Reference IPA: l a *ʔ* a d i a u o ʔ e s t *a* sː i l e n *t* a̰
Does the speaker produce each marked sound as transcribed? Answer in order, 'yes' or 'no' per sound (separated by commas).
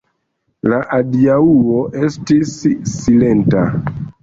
yes, no, yes